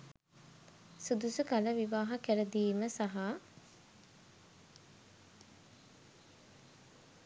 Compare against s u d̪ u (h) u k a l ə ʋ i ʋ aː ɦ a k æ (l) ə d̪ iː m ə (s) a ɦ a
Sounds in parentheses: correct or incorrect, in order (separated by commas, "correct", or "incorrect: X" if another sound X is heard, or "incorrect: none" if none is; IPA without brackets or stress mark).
incorrect: s, incorrect: ɾ, correct